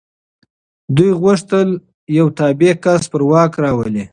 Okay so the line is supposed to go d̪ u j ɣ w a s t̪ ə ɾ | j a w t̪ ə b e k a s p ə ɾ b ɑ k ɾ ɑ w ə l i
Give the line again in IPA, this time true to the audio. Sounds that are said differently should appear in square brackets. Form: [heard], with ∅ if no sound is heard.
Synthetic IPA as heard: d̪ u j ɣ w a [ʂ] t̪ ə [l] | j a w t̪ [ɑ] b e k a s p ə ɾ [w] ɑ k ɾ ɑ w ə l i